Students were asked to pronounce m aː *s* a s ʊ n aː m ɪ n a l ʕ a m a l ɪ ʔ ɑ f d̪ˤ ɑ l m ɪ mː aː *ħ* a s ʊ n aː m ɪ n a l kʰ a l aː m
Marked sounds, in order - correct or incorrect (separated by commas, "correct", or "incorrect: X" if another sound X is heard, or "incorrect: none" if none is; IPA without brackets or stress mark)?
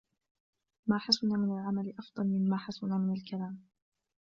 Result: incorrect: ħ, correct